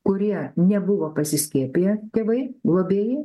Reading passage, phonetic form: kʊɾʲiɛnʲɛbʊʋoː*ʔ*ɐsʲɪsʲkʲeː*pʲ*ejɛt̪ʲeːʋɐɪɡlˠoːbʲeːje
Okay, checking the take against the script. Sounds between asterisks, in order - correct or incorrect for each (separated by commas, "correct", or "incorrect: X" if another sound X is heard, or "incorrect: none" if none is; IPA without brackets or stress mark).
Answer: incorrect: p, correct